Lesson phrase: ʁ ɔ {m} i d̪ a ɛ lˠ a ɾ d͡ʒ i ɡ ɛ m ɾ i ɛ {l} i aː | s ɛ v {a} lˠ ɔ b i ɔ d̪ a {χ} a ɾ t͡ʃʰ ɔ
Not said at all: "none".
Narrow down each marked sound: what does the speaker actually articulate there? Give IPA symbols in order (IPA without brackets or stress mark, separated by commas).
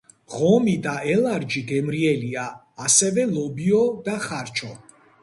m, l, ɛ, χ